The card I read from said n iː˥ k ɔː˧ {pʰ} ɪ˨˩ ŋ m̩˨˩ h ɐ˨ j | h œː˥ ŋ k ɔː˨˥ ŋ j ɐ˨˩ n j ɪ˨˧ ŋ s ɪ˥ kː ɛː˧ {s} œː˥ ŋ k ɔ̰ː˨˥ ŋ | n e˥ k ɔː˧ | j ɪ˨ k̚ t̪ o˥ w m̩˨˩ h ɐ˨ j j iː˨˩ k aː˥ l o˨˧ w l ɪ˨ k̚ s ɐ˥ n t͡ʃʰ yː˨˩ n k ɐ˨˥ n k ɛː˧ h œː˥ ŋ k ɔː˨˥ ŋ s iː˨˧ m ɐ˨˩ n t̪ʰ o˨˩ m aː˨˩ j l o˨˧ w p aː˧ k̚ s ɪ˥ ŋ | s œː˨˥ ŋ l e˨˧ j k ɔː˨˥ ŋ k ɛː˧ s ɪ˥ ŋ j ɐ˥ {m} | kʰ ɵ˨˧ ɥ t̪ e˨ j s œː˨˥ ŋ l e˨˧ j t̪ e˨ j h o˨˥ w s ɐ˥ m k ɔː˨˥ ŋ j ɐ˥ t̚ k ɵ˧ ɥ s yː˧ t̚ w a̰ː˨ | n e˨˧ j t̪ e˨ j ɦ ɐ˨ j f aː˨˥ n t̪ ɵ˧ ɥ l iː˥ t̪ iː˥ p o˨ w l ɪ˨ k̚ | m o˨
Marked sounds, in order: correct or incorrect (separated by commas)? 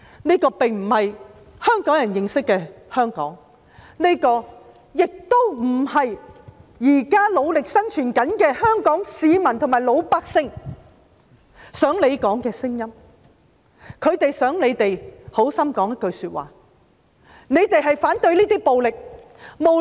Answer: incorrect, incorrect, correct